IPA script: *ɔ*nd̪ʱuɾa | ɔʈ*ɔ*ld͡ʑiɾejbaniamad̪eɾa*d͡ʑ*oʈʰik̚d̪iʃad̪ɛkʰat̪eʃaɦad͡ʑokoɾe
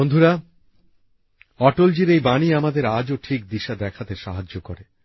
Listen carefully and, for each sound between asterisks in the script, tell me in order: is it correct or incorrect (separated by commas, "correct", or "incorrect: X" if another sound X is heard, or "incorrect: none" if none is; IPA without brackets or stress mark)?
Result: incorrect: o, incorrect: o, correct